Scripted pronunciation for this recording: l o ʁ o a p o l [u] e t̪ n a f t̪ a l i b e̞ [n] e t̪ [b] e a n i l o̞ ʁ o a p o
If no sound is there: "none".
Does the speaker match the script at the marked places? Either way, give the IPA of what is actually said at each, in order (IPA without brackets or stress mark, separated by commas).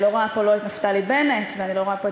o, n, v